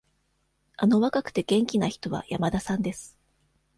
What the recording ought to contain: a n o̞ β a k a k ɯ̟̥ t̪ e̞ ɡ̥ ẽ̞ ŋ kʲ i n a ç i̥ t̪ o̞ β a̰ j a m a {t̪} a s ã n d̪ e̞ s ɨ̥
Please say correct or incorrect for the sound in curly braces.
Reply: incorrect